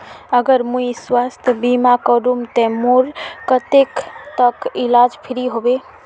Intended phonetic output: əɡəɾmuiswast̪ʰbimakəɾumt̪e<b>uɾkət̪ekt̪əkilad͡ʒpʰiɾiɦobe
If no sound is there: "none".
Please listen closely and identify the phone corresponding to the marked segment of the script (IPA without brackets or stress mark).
m